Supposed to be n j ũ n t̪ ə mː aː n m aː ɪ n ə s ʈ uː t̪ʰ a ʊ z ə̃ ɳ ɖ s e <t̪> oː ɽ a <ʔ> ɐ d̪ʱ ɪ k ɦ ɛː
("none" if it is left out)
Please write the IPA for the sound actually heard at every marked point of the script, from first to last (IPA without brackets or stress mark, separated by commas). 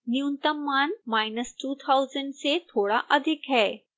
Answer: t̪ʰ, ʔ